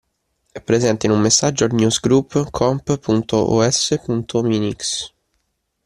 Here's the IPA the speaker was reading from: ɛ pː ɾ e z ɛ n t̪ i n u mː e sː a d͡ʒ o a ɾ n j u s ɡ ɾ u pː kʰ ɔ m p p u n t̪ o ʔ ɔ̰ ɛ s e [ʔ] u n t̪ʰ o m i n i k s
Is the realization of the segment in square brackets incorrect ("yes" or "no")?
yes